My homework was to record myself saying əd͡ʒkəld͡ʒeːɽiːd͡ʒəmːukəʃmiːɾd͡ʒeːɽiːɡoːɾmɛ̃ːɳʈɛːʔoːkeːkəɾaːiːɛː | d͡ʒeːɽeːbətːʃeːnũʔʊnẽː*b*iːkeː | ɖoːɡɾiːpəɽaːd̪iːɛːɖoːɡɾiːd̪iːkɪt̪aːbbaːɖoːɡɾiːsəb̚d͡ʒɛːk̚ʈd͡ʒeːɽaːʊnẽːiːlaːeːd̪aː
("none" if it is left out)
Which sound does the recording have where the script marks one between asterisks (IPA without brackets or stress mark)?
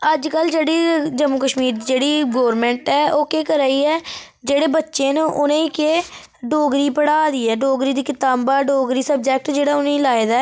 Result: none